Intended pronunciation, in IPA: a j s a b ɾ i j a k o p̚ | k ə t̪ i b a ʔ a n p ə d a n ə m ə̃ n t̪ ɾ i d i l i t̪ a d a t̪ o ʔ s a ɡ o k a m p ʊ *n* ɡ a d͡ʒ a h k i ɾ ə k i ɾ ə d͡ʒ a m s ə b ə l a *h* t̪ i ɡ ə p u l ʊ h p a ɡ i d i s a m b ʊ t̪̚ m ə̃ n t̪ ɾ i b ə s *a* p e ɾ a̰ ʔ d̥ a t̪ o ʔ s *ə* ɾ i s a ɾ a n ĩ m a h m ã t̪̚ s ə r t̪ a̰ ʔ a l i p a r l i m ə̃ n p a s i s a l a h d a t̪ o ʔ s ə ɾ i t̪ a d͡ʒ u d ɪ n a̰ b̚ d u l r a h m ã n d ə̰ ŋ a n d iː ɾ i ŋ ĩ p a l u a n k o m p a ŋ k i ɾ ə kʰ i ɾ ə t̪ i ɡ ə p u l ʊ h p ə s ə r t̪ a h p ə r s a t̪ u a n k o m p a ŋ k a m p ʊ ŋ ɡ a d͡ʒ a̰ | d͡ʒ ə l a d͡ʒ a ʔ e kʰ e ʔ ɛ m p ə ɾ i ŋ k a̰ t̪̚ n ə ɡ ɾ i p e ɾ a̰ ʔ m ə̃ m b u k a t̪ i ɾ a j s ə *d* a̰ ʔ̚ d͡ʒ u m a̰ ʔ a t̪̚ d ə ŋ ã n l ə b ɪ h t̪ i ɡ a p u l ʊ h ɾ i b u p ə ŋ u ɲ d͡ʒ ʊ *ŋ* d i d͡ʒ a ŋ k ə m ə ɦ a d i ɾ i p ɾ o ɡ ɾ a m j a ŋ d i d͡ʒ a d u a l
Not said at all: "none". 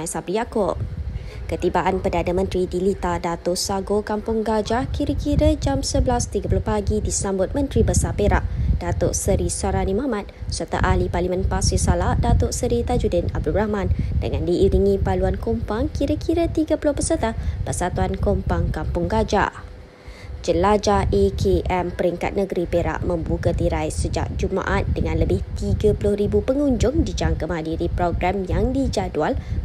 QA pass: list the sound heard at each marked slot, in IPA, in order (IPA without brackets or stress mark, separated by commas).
ŋ, s, a, ə, d͡ʒ, ŋ